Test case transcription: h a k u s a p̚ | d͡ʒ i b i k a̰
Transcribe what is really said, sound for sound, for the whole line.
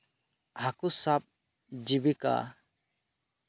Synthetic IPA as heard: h a k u s a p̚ | d͡ʒ i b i k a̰